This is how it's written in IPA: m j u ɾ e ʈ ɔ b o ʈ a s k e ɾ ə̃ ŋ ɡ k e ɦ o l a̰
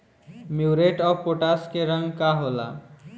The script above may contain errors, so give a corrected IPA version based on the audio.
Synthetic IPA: m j u ɾ e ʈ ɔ p o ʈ a s k e ɾ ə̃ ŋ ɡ k a ɦ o l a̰